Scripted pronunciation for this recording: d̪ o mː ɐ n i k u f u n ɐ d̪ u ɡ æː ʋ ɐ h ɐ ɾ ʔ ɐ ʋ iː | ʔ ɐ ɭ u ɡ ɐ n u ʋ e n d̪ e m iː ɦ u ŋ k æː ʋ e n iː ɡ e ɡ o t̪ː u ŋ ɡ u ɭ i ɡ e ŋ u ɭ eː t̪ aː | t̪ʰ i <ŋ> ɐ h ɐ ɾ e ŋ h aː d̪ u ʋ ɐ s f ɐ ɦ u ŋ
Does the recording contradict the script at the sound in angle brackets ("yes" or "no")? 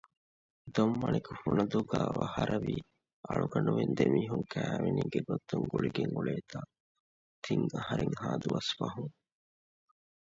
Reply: no